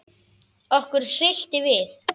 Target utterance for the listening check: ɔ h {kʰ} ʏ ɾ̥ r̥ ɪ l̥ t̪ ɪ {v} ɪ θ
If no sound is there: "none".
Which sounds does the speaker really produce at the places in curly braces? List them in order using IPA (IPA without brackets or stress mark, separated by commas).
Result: k, v